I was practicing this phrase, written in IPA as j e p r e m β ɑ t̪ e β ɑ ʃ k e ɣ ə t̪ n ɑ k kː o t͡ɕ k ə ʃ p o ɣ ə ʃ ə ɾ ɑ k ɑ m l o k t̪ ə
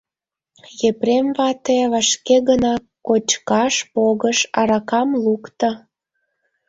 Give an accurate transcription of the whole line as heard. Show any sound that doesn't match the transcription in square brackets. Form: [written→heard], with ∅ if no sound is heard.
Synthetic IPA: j e p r e m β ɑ t̪ e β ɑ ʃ k e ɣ ə [t̪→∅] n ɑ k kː o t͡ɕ k [ə→ɑ] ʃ p o ɣ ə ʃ [ə→ɑ] ɾ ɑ k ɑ m l [o→u] k t̪ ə